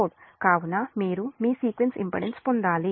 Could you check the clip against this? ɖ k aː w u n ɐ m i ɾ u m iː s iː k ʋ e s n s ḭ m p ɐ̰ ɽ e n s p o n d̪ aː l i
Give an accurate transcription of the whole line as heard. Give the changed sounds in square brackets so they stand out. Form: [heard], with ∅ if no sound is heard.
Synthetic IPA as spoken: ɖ k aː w u n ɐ m [iː] ɾ u m iː s iː k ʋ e [∅] n s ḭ m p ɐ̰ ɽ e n s p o n d̪ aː l i